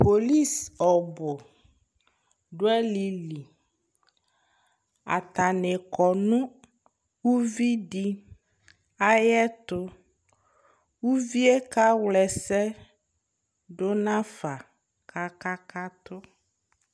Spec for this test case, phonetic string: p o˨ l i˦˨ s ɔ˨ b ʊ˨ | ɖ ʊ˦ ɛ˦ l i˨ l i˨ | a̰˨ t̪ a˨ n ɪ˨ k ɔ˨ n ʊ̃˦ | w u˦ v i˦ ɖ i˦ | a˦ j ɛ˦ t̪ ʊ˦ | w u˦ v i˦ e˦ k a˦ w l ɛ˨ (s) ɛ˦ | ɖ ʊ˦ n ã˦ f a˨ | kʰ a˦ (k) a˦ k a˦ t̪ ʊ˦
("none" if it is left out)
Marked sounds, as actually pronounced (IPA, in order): s, k

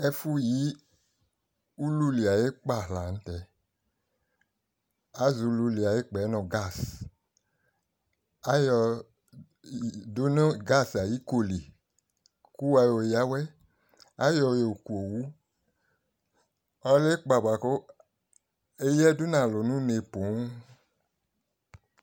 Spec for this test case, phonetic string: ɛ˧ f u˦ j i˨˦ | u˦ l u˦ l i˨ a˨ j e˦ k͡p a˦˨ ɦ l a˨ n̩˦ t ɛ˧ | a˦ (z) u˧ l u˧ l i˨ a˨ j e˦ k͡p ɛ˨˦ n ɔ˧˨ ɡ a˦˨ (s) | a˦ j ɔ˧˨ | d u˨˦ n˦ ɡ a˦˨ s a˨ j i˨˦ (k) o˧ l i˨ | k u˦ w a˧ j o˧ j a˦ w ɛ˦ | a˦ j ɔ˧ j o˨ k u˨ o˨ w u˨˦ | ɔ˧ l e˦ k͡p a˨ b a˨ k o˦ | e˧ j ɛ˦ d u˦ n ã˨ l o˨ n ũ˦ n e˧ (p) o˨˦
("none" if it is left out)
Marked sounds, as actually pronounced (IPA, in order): z, s, k, p

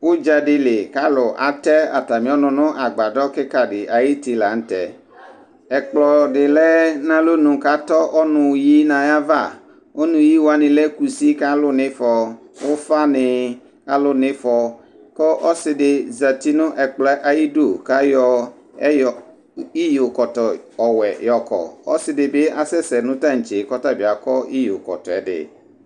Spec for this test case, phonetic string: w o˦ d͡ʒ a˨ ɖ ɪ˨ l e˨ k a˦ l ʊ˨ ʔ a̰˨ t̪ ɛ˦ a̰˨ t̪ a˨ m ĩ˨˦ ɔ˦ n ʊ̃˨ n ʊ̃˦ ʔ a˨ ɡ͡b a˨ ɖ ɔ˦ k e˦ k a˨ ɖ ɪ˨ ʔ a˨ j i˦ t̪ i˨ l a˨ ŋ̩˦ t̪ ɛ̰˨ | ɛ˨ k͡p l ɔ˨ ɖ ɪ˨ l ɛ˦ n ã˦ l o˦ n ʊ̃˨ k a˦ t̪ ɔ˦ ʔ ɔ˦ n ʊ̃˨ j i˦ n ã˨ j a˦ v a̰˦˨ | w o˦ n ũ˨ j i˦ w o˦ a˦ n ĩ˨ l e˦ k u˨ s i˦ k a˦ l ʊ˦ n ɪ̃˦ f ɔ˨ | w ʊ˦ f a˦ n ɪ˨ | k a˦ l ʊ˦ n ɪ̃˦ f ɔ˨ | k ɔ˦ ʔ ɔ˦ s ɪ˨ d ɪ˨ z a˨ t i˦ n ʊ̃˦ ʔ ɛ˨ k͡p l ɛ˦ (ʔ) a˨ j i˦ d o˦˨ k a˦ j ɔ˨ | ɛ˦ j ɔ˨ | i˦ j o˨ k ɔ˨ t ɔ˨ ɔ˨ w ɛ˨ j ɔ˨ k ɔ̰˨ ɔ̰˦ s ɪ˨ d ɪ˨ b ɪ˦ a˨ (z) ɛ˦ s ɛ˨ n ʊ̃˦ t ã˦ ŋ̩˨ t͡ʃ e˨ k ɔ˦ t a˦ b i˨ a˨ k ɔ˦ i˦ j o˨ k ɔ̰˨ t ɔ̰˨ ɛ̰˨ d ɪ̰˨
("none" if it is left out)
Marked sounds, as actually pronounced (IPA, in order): ʔ, s

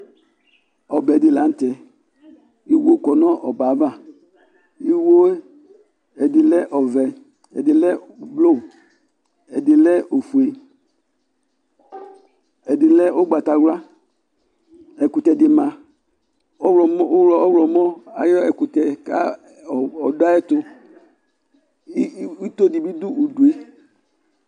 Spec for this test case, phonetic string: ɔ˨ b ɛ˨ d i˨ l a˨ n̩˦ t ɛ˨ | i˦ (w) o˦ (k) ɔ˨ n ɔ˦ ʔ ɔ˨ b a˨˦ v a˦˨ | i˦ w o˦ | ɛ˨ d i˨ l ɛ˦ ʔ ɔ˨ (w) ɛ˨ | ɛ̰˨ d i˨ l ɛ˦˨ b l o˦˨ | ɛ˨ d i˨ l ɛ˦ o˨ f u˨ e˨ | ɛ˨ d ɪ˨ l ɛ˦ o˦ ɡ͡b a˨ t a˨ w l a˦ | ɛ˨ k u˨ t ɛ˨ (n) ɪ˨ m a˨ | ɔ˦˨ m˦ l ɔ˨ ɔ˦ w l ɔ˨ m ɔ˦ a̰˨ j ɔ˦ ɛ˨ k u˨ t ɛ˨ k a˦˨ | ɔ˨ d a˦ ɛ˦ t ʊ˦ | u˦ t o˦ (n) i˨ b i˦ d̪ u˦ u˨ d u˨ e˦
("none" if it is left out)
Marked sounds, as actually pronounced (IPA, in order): w, k, v, d, d

